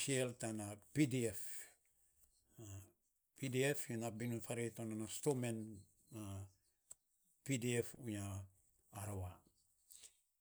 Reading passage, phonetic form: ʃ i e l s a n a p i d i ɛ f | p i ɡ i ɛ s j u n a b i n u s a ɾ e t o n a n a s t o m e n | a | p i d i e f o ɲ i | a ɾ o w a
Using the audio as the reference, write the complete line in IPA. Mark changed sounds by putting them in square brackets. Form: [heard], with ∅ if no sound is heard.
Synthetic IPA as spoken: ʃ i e l [t] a n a p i d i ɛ f | p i [d] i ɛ [f] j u n a b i n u [f] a ɾ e t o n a n a s t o m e n | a | p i d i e f [u] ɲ [a] | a ɾ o w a